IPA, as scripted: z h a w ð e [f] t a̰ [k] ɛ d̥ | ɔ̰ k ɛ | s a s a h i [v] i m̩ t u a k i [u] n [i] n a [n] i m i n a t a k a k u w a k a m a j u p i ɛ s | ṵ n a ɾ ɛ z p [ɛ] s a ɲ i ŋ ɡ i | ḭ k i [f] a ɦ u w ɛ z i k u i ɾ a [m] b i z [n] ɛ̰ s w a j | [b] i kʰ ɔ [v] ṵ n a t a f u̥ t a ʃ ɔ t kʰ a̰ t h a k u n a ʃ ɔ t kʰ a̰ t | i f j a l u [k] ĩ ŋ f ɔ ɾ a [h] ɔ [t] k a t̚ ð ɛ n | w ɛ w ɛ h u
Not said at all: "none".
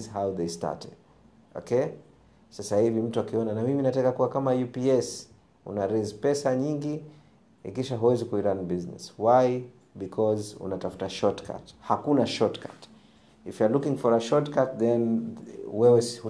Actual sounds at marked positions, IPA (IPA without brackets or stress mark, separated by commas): s, t, v, ɔ, a, m, ɛ, ʃ, n, n, b, z, k, ʃ, t